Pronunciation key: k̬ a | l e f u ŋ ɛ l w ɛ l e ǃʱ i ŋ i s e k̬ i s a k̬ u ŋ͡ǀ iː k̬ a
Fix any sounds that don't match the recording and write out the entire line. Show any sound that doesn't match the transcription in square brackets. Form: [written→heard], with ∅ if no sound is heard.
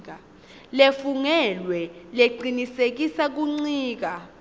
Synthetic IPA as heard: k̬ a | l e f u ŋ ɛ l w ɛ l e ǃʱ i [ŋ→n] i s e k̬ i s a k̬ u ŋ͡ǀ iː k̬ a